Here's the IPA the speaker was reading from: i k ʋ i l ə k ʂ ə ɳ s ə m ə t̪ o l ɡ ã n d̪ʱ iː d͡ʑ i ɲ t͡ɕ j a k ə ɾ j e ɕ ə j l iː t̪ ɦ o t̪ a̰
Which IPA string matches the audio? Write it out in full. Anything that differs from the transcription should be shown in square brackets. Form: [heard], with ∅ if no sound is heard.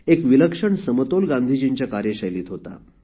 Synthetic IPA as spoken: [e] k ʋ i l ə k ʂ ə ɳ s ə m ə t̪ o l ɡ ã n d̪ʱ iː d͡ʑ i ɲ t͡ɕ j a k [a] ɾ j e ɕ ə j l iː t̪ ɦ o t̪ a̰